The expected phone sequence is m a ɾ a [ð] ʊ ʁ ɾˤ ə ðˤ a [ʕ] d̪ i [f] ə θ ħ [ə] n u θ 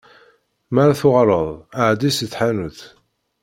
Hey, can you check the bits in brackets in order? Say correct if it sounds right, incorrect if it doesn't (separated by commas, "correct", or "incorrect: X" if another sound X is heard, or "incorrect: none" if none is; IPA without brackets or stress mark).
incorrect: θ, correct, incorrect: s, incorrect: a